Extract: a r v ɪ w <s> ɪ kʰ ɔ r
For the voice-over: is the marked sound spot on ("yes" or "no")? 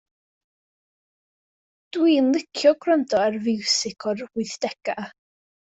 yes